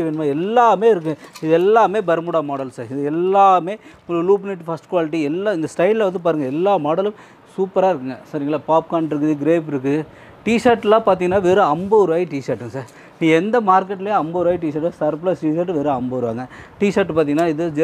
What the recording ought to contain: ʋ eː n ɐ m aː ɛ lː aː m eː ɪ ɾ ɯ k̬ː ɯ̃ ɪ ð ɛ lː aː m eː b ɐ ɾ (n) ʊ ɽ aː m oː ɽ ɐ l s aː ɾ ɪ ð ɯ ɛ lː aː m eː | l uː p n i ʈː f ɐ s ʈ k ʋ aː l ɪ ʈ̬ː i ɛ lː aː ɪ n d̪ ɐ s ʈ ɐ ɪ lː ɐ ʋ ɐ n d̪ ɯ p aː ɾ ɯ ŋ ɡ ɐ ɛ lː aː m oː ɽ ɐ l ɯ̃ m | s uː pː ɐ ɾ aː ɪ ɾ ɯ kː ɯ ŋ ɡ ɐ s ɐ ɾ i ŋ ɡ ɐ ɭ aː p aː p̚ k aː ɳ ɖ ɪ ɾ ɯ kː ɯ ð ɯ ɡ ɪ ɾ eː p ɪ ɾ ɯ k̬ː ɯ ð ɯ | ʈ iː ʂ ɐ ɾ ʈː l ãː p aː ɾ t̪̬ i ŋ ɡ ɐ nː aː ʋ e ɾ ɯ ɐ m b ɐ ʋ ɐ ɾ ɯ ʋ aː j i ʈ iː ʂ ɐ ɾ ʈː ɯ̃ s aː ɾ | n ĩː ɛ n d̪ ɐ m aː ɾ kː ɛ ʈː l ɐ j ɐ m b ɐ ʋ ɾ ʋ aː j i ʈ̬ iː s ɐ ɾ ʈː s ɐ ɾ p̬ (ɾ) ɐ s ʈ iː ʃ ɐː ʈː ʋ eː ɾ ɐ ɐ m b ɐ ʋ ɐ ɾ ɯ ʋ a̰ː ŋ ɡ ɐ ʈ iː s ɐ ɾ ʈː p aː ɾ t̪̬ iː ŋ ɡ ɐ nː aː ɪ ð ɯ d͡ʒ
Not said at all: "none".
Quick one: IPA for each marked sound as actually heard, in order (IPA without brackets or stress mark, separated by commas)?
m, l